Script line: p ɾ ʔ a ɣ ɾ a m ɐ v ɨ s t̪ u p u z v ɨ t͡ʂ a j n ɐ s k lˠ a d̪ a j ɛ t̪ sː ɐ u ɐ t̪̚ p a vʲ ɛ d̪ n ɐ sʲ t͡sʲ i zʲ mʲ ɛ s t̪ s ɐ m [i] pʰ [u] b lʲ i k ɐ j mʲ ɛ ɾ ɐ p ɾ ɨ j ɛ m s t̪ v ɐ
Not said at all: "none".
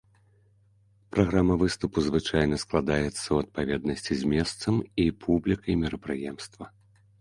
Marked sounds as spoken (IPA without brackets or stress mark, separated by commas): i, u